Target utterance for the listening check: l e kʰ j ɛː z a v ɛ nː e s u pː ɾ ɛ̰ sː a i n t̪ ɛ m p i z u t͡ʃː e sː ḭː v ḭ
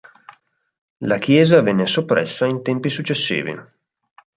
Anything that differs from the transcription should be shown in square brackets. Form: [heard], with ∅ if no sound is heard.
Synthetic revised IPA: l [a] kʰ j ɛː z a v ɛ nː e s [o] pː ɾ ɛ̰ sː a i n t̪ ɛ m p i [s] u t͡ʃː e sː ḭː v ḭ